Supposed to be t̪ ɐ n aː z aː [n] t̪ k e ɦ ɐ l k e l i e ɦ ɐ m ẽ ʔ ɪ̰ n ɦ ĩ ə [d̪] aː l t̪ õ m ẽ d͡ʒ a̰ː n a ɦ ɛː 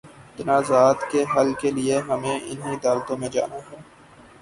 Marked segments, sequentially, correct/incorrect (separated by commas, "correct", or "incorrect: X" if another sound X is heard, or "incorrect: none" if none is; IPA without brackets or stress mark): incorrect: none, correct